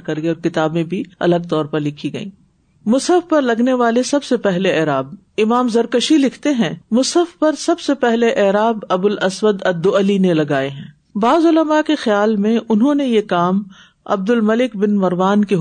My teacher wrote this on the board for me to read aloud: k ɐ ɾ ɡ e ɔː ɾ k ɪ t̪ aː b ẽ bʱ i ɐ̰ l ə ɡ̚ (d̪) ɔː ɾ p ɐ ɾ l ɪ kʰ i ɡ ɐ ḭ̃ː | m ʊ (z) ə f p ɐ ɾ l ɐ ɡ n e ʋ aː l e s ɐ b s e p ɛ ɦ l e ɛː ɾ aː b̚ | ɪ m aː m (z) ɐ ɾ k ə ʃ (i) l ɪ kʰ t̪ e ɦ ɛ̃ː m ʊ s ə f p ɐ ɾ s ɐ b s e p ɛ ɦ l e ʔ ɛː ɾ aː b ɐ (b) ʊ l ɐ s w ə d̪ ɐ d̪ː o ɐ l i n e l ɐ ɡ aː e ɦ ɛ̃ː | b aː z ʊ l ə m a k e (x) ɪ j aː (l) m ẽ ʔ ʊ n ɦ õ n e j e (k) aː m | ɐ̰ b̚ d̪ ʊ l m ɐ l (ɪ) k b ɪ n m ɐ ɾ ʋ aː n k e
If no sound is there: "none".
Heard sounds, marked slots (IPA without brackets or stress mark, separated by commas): t̪, s, z, i, b, x, l, k, ɪ